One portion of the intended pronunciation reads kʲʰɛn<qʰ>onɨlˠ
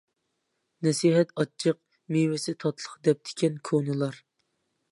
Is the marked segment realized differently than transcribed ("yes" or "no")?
yes